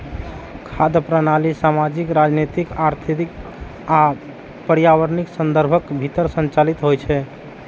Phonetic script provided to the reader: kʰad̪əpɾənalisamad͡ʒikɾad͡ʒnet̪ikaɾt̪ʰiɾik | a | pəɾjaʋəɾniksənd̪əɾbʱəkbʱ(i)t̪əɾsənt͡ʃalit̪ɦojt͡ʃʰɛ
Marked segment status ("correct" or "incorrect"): correct